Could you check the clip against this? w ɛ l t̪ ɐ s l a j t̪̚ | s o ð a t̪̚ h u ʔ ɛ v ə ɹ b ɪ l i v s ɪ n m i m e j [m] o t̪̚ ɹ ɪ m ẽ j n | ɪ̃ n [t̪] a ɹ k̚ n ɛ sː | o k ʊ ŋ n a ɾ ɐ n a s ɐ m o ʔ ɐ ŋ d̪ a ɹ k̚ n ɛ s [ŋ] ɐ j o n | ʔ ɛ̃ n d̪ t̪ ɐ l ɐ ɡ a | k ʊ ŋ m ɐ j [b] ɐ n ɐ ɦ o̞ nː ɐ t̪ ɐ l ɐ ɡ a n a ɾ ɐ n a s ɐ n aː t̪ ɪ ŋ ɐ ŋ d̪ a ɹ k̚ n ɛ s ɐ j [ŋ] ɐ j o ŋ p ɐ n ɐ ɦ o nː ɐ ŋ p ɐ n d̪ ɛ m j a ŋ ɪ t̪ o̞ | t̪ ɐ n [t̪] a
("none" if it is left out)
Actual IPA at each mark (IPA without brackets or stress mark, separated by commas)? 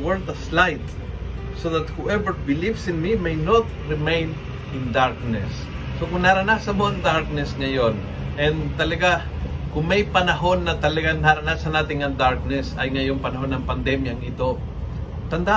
n, d̪, ŋ, p, ŋ, d̪